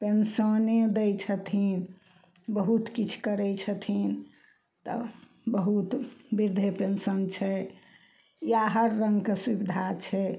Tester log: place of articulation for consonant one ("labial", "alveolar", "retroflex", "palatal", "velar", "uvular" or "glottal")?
labial